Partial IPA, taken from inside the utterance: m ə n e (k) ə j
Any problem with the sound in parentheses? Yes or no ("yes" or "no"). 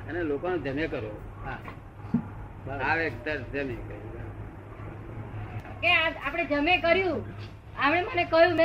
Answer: no